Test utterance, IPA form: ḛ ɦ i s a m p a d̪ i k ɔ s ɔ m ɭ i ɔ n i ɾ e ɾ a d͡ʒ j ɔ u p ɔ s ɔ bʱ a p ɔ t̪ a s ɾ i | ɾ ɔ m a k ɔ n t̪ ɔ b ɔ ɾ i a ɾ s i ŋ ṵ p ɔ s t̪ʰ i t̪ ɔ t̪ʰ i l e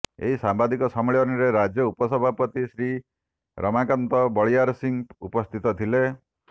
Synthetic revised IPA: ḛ ɦ i s a m b a d̪ i k ɔ s ɔ m ɭ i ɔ n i ɾ e ɾ a d͡ʒ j ɔ u p ɔ s ɔ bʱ a p ɔ t̪ i s ɾ i | ɾ ɔ m a k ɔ n t̪ ɔ b ɔ ɭ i a ɾ s i ŋ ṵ p ɔ s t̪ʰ i t̪ ɔ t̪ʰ i l e